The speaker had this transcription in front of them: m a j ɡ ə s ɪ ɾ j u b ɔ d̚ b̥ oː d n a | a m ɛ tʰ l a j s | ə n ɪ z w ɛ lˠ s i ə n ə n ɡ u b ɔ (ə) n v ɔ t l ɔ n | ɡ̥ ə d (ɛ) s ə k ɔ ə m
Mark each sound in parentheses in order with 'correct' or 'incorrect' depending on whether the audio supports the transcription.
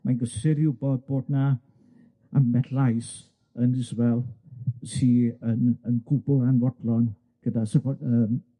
incorrect: a, incorrect: a

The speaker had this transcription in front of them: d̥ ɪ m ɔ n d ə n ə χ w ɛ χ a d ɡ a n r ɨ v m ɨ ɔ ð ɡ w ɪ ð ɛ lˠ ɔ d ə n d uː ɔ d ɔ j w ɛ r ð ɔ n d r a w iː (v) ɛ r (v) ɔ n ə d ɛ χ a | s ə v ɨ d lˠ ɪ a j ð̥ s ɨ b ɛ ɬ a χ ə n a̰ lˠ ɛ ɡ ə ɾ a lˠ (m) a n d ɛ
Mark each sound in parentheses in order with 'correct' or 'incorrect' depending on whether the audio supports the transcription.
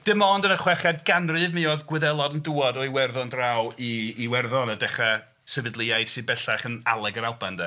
incorrect: w, incorrect: ð, incorrect: b

